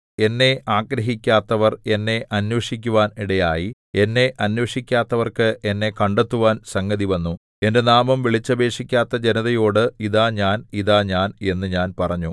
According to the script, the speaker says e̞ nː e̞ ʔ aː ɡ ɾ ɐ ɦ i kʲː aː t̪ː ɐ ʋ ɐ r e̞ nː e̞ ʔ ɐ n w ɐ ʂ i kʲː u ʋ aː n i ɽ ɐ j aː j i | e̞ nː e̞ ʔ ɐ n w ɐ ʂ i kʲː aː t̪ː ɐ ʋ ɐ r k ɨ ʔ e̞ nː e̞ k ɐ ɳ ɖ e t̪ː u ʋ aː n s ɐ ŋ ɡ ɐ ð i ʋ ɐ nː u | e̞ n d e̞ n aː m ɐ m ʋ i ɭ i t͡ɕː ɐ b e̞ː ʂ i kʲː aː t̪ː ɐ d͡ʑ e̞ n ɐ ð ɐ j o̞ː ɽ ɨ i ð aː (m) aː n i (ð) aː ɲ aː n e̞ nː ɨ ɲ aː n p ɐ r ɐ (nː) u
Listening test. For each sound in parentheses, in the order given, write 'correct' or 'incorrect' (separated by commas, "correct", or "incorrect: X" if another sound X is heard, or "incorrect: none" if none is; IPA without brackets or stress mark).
incorrect: ɲ, correct, incorrect: ɲː